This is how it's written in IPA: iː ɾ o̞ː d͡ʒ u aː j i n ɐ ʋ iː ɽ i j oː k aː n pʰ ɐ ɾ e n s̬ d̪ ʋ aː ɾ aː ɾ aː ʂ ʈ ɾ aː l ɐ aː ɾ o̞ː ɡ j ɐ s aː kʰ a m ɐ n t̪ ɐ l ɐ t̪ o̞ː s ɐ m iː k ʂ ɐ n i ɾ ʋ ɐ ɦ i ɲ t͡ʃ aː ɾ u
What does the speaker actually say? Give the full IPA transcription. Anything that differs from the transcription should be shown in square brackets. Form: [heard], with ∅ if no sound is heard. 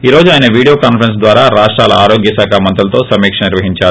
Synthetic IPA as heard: iː ɾ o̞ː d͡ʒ u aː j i n ɐ ʋ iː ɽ i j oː k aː n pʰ ɐ ɾ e n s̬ d̪ ʋ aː ɾ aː ɾ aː ʂ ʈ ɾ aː l ɐ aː ɾ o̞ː ɡ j ɐ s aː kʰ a m ɐ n t̪ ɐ l ɐ t̪ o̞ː s ɐ m iː k ʂ ɐ n i ɾ ʋ ɐ ɦ i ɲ t͡ʃ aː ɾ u